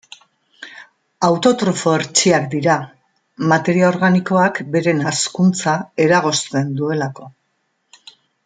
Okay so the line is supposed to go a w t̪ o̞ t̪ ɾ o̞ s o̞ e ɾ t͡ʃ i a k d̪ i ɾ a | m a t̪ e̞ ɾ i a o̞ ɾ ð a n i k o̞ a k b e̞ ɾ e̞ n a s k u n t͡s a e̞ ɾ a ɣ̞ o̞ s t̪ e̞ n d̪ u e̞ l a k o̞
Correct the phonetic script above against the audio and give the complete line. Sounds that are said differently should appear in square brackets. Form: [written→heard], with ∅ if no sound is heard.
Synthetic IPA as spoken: a w t̪ o̞ t̪ ɾ o̞ [s→f] o̞ e ɾ t͡ʃ i a k d̪ i ɾ a | m a t̪ e̞ ɾ i a o̞ ɾ [ð→ɣ] a n i k o̞ a k b e̞ ɾ e̞ n a s k u n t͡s a e̞ ɾ a ɣ̞ o̞ s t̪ e̞ n d̪ u e̞ l a k o̞

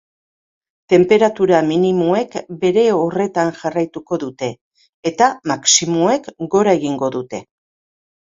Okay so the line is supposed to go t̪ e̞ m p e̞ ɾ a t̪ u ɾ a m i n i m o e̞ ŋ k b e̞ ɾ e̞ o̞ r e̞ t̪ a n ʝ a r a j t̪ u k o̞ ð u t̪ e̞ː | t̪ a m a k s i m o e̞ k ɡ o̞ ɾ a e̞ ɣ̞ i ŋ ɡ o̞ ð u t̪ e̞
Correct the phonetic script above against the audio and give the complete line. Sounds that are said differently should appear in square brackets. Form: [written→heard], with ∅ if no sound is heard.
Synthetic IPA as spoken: t̪ e̞ m p e̞ ɾ a t̪ u ɾ a m i n i m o e̞ [ŋ→∅] k b e̞ ɾ e̞ o̞ r e̞ t̪ a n ʝ a r a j t̪ u k o̞ ð u t̪ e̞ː | t̪ a m a k s i m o e̞ k ɡ o̞ ɾ a e̞ ɣ̞ i ŋ ɡ o̞ ð u t̪ e̞

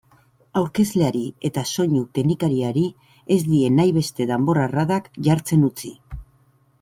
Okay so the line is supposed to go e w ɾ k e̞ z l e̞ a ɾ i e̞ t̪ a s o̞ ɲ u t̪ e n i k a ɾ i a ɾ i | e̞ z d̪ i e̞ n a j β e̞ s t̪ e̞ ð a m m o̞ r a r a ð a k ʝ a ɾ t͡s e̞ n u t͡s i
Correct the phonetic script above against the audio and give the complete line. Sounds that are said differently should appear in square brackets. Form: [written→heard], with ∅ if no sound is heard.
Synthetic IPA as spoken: [e→a] w ɾ k e̞ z l e̞ a ɾ i e̞ t̪ a s o̞ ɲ u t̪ e n i k a ɾ i a ɾ i | e̞ z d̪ i e̞ n a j β e̞ s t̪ e̞ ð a m [m→b] o̞ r a r a ð a k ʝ a ɾ t͡s e̞ n u t͡s i

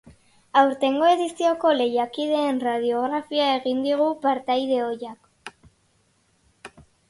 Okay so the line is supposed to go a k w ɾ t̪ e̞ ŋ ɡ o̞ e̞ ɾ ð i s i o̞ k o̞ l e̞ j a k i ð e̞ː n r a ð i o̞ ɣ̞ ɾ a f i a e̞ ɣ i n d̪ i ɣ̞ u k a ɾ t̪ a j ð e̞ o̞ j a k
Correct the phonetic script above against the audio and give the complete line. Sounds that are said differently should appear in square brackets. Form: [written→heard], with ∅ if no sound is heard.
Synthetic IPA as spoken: a [k→∅] w ɾ t̪ e̞ ŋ ɡ o̞ e̞ [ɾ→∅] ð i s i o̞ k o̞ l e̞ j a k i ð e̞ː n r a ð i o̞ ɣ̞ ɾ a f i a e̞ ɣ i n d̪ i ɣ̞ u [k→p] a ɾ t̪ a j ð e̞ o̞ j a k

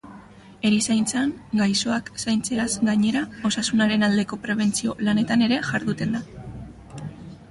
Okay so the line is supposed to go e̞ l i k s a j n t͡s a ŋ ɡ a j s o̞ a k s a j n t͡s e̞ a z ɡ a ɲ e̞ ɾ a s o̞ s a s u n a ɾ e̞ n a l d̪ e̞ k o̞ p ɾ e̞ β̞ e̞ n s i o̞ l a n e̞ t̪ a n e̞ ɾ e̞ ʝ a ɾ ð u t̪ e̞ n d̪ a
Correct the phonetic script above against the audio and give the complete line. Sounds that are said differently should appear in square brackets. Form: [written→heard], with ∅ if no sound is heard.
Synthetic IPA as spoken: e̞ [l→ɾ] i [k→∅] s a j n t͡s a ŋ ɡ a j s o̞ a k s a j n t͡s e̞ a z ɡ a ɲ e̞ ɾ a [s→∅] o̞ s a s u n a ɾ e̞ n a l d̪ e̞ k o̞ p ɾ e̞ β̞ e̞ n [s→t͡s] i o̞ l a n e̞ t̪ a n e̞ ɾ e̞ ʝ a ɾ ð u t̪ e̞ n d̪ a

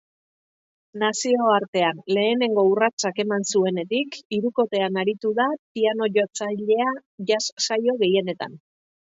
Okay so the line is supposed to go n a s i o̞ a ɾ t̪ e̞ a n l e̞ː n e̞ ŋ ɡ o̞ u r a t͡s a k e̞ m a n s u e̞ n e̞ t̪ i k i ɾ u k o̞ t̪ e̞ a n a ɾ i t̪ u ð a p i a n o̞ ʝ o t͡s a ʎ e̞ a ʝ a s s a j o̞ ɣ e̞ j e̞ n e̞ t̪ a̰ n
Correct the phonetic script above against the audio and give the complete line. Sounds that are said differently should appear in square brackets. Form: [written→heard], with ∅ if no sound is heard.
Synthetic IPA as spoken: n a s i o̞ a ɾ t̪ e̞ a n l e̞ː n e̞ ŋ ɡ o̞ u r a t͡s a k e̞ m a n s u e̞ n e̞ t̪ i k i ɾ u k o̞ t̪ e̞ a n a ɾ i t̪ u ð a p i a n o̞ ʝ o t͡s a ʎ e̞ a ʝ a s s a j o̞ ɣ e̞ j e̞ n e̞ t̪ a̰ n

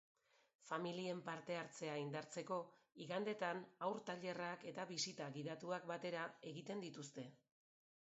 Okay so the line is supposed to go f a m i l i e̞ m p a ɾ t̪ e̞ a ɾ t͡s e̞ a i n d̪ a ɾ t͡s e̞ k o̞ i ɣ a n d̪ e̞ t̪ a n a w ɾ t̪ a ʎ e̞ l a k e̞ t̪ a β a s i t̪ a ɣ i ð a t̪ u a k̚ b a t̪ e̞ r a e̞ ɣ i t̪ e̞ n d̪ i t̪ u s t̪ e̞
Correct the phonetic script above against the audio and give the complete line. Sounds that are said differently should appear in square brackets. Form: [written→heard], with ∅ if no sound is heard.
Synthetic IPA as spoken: f a m i l i e̞ m p a ɾ t̪ e̞ a ɾ t͡s e̞ a i n d̪ a ɾ t͡s e̞ k o̞ i ɣ a n d̪ e̞ t̪ a n a w ɾ t̪ a ʎ e̞ [l→r] a k e̞ t̪ a β [a→i] s i t̪ a ɣ i ð a t̪ u a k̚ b a t̪ e̞ [r→ɾ] a e̞ ɣ i t̪ e̞ n d̪ i t̪ u s t̪ e̞

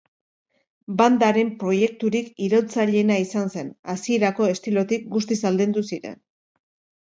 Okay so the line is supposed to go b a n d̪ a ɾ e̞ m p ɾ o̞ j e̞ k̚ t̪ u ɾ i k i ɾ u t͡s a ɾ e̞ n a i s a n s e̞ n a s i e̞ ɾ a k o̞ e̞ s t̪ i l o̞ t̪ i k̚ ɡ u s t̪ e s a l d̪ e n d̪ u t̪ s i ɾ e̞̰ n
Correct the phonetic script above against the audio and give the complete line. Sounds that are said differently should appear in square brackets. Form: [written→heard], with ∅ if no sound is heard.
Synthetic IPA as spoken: b a n d̪ a ɾ e̞ m p ɾ o̞ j e̞ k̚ t̪ u ɾ i k i ɾ [u→o] t͡s a [ɾ→ʎ] e̞ n a i s a n s e̞ n a s i e̞ ɾ a k o̞ e̞ s t̪ i l o̞ t̪ i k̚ ɡ u s t̪ [e→i] s a l d̪ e n d̪ u [t̪→∅] s i ɾ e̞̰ n

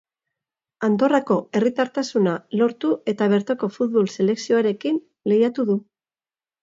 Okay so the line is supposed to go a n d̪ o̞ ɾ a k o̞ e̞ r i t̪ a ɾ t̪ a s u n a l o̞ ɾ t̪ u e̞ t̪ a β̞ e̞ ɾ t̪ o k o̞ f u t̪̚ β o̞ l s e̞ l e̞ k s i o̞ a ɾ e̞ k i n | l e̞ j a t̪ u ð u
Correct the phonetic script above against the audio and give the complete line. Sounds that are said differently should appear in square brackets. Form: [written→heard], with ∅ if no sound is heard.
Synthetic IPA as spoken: a n d̪ o̞ [ɾ→r] a k o̞ e̞ r i t̪ a ɾ t̪ a s u n a l o̞ ɾ t̪ u e̞ t̪ a β̞ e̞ ɾ t̪ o k o̞ f u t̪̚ β o̞ l s e̞ l e̞ k s i o̞ a ɾ e̞ k i n | l e̞ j a t̪ u ð u

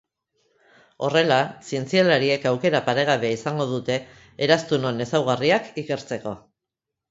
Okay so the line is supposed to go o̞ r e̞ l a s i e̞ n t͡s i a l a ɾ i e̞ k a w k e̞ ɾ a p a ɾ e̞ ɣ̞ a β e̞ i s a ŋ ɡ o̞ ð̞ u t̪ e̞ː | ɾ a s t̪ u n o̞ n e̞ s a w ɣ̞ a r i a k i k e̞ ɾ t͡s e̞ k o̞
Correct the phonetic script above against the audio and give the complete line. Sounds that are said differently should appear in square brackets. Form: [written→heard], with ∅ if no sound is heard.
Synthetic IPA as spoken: o̞ r e̞ l a s i e̞ n t͡s i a l a ɾ i e̞ k a w k e̞ ɾ a p a ɾ e̞ ɣ̞ a β e̞ i s a ŋ ɡ o̞ ð̞ u t̪ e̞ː | ɾ a s t̪ u n o̞ n e̞ s a w ɣ̞ a r i a k i k e̞ ɾ t͡s e̞ k o̞

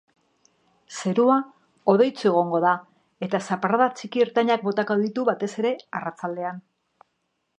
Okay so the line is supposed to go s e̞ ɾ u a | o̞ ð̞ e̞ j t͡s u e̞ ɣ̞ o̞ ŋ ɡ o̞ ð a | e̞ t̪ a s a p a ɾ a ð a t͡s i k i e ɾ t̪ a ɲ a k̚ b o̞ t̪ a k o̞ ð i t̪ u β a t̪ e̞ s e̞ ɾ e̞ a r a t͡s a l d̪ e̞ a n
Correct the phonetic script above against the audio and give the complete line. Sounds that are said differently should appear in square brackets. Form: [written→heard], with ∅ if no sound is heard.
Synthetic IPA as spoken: s e̞ ɾ u a | o̞ ð̞ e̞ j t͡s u e̞ ɣ̞ o̞ ŋ ɡ o̞ ð a | e̞ t̪ a s a p a ɾ a ð a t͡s i k i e ɾ t̪ a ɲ a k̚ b o̞ t̪ a k o̞ ð i t̪ u β a t̪ e̞ s e̞ ɾ e̞ a r a t͡s a l d̪ e̞ a n

